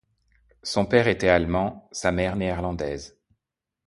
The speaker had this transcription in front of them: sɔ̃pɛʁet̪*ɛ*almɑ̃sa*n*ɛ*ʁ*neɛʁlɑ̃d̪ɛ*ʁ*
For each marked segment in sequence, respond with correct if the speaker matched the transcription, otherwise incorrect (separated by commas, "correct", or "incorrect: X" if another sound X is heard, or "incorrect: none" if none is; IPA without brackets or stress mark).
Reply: correct, incorrect: m, correct, incorrect: z